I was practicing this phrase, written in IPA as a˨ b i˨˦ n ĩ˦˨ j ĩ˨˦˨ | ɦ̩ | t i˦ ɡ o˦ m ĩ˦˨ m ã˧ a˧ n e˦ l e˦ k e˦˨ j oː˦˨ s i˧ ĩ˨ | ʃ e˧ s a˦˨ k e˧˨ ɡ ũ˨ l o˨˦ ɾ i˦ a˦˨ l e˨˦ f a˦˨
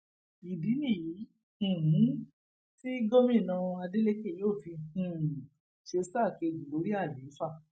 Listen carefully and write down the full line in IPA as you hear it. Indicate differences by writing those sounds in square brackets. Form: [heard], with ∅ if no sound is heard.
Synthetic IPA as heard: [i˨] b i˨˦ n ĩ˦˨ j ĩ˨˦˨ | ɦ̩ | t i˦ ɡ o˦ m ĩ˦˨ [n] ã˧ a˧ [d] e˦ l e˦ k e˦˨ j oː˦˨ [f] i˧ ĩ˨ | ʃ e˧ s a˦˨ k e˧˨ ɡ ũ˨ l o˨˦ ɾ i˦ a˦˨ l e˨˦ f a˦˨